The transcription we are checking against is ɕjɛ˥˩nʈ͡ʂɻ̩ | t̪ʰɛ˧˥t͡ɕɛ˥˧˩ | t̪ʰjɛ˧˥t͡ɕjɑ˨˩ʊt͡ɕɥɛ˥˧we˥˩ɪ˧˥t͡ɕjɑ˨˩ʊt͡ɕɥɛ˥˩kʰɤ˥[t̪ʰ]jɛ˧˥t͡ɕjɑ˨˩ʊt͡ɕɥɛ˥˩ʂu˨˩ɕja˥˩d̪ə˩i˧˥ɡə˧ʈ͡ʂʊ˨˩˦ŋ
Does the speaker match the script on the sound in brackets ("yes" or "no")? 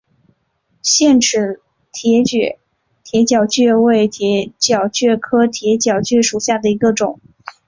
yes